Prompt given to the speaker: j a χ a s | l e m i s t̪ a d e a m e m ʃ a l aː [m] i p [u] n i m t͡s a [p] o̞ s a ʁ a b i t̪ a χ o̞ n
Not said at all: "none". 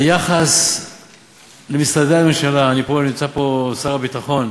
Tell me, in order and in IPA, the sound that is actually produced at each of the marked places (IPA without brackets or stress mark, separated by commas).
n, o, p